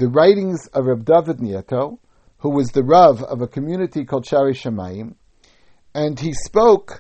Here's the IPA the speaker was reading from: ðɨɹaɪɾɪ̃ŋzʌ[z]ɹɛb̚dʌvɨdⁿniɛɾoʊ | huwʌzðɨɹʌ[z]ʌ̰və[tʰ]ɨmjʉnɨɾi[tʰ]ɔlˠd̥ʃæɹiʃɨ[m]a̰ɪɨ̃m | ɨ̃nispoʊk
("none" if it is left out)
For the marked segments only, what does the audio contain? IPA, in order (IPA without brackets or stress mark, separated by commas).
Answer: v, v, kʰ, kʰ, m